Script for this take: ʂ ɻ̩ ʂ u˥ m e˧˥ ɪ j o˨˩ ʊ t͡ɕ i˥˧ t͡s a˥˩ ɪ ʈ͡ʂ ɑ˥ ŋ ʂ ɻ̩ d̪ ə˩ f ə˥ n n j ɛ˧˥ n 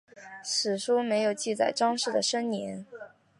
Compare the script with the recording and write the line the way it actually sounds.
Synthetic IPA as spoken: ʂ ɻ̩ ʂ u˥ m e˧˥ ɪ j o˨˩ ʊ t͡ɕ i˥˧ t͡s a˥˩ ɪ ʈ͡ʂ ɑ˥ ŋ ʂ ɻ̩ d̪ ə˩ ʂ ə˥ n n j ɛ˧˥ n